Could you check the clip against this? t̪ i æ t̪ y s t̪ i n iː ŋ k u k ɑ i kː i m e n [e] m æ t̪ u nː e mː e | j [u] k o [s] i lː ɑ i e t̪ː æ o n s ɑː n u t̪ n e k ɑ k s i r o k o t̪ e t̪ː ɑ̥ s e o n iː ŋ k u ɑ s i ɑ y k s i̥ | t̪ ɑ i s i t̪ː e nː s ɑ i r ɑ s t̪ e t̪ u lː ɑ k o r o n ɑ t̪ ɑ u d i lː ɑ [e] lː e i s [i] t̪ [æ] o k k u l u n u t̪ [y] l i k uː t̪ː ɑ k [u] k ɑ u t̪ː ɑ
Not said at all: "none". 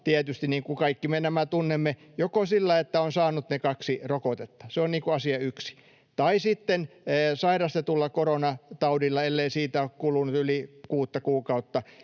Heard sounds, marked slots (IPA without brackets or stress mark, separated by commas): æ, o, s, e, iː, æ, y, uː